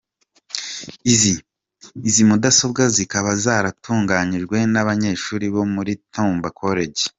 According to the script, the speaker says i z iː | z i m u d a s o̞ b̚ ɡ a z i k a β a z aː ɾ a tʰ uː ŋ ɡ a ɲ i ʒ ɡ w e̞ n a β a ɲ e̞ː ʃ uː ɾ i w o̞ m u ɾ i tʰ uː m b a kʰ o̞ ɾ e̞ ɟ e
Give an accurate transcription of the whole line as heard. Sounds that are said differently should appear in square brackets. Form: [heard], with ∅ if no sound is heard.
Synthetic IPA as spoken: i z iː | z i m u d a s o̞ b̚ ɡ a z i k a β a z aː ɾ a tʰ uː ŋ ɡ a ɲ i ʒ ɡ w e̞ n a β a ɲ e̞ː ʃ uː ɾ i [β] o̞ m u ɾ i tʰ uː m b a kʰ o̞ ɾ e̞ ɟ e